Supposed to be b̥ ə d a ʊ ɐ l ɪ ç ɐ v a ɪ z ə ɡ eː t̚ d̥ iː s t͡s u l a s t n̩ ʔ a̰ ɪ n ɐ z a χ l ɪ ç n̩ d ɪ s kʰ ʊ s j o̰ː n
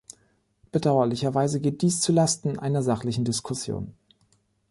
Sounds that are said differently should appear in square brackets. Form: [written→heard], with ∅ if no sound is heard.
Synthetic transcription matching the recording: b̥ ə d a ʊ ɐ l ɪ ç ɐ v a ɪ z ə ɡ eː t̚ d̥ iː s t͡s u l a s t n̩ ʔ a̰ ɪ n ɐ z a χ l ɪ ç n̩ d ɪ s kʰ ʊ s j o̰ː n